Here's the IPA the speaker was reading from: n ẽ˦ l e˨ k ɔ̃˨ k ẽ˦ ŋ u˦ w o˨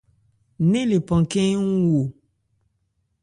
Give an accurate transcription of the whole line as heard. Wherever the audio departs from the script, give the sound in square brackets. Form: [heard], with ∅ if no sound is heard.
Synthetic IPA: n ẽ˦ l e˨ [p] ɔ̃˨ k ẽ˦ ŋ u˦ w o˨